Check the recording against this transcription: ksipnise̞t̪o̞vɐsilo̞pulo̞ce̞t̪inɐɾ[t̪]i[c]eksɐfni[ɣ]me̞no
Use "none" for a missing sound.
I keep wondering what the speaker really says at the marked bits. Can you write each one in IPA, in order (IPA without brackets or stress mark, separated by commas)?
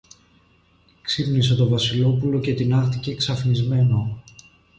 t̪, c, z